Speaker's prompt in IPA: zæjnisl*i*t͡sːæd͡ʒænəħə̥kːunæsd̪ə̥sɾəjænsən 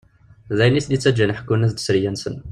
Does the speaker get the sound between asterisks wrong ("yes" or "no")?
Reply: no